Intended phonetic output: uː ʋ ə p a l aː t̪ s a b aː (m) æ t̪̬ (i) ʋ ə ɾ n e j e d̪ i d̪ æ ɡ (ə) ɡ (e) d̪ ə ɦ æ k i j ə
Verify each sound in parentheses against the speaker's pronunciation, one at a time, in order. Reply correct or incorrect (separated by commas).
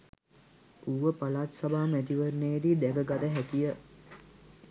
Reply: correct, correct, correct, incorrect